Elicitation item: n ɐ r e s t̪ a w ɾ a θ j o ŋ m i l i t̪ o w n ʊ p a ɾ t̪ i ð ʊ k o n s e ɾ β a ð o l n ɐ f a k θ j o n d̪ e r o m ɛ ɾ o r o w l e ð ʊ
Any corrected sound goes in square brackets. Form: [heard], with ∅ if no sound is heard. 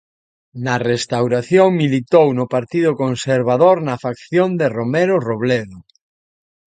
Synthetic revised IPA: n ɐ r e s t̪ a w ɾ a θ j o ŋ m i l i t̪ o w n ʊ p a ɾ t̪ i ð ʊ k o n s e ɾ β a ð o [ɾ] n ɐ f a k θ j o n d̪ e r o m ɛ ɾ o r o [β] l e ð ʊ